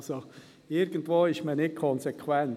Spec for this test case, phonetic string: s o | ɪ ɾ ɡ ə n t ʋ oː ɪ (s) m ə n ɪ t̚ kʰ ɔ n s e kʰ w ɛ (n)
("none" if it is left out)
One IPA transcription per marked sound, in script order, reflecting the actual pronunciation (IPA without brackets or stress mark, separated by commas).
ʃ, n